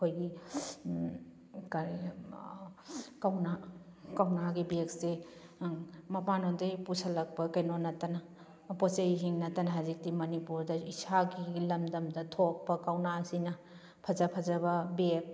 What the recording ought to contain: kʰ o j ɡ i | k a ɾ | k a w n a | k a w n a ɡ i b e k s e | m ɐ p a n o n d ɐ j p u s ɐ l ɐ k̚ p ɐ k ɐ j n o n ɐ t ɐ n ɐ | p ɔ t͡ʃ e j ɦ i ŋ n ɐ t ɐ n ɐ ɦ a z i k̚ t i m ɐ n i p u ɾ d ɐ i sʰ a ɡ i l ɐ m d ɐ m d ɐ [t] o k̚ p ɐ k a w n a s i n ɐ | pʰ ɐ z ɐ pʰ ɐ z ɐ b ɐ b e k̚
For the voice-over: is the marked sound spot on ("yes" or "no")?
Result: no